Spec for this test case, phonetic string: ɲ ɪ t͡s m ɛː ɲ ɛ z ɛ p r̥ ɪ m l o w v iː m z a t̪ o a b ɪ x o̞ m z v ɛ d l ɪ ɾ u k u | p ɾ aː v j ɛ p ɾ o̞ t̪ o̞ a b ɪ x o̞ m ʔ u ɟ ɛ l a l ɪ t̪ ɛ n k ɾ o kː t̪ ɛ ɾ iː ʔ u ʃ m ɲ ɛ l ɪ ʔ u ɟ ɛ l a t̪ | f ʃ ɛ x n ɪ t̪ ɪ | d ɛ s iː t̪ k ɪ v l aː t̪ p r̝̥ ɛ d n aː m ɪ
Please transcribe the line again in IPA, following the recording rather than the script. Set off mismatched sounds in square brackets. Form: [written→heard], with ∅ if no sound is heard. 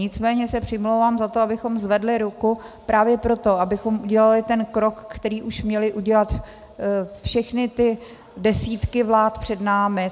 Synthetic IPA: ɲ ɪ t͡s m ɛː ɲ ɛ [z→s] ɛ p r̥ ɪ m l o w v [iː→aː] m z a t̪ o a b ɪ x o̞ m z v ɛ d l ɪ ɾ u k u | p ɾ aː v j ɛ p ɾ o̞ t̪ o̞ a b ɪ x o̞ m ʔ u ɟ ɛ l a l ɪ t̪ ɛ n k ɾ o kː t̪ ɛ ɾ iː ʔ u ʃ m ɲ ɛ l ɪ ʔ u ɟ ɛ l a t̪ | f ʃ ɛ x n ɪ t̪ ɪ | d ɛ s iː t̪ k ɪ v l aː t̪ p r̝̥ ɛ d n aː m ɪ